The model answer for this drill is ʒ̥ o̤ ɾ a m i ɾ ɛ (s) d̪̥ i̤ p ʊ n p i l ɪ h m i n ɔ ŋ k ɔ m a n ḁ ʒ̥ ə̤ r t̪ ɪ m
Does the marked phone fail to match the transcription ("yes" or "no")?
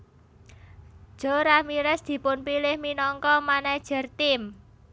no